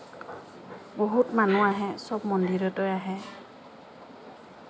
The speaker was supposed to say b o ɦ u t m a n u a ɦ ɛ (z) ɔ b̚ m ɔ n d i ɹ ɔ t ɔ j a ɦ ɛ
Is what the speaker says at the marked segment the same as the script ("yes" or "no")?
no